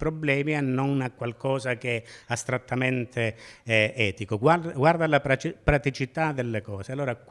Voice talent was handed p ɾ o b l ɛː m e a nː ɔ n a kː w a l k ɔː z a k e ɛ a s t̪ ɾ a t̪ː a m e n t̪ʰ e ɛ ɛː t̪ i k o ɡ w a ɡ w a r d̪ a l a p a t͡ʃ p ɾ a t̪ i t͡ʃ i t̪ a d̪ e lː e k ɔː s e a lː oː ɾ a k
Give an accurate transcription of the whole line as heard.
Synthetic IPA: p ɾ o b l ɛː m i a nː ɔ n a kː w a l k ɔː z a k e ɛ a s t̪ ɾ a t̪ː a m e n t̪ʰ e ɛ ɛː t̪ i k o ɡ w a ɡ w a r d̪ a l a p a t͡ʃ p ɾ a t̪ i t͡ʃ i t̪ a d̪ e lː e k ɔː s e a lː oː ɾ a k